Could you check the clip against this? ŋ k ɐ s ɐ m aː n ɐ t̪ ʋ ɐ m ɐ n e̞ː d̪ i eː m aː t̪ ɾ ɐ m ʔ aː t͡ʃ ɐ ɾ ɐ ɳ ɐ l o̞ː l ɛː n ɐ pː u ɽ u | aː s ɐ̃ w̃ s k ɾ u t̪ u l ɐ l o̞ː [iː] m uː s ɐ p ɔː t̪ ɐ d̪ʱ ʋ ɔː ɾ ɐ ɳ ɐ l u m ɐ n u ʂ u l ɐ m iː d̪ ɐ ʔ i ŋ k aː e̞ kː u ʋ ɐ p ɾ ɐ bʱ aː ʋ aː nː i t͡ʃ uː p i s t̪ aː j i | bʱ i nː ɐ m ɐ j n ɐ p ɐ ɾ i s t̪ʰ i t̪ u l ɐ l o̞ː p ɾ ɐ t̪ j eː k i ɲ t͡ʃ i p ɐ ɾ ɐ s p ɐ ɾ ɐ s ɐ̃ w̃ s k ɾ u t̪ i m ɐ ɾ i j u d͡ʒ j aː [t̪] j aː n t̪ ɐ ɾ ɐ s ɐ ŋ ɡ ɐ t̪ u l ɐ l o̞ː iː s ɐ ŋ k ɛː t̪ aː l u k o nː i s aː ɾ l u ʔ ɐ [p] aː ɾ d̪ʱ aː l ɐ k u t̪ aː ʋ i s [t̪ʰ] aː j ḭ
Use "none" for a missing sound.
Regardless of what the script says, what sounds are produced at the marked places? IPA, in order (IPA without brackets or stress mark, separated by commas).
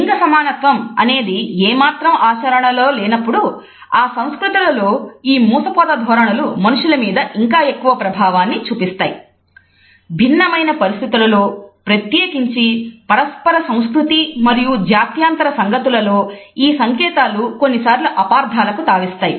iː, t̪, p, t̪